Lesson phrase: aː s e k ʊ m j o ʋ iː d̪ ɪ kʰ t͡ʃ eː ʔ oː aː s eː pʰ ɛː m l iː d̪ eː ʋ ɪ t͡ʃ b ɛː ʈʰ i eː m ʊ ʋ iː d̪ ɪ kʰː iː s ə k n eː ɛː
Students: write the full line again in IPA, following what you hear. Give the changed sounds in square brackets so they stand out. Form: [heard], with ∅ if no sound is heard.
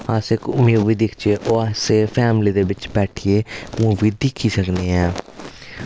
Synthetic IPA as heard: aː s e k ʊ m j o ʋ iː d̪ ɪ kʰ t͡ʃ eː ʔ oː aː s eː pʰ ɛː m l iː d̪ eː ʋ ɪ t͡ʃ b ɛː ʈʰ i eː m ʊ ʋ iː d̪ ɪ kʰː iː s ə k n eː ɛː